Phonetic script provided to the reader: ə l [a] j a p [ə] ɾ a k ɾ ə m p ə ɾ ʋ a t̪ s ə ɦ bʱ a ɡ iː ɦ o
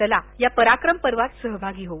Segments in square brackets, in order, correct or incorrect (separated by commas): correct, correct